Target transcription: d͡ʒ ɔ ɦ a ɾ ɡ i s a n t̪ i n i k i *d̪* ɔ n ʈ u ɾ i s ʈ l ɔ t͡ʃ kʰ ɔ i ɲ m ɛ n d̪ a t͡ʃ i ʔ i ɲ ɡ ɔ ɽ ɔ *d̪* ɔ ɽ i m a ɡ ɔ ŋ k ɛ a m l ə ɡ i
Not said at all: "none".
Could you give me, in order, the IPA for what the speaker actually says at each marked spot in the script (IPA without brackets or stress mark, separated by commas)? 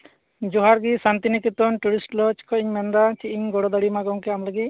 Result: t̪, d̪